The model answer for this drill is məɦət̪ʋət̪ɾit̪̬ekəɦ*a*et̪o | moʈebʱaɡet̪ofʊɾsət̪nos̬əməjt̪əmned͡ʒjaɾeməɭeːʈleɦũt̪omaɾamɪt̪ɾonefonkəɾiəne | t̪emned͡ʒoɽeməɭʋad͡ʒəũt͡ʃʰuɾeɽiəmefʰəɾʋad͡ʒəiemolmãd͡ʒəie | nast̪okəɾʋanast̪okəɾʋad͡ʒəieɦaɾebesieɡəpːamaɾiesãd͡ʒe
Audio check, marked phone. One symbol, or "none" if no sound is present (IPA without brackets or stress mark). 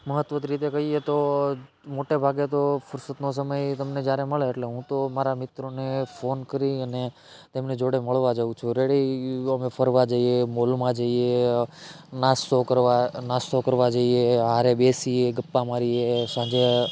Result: i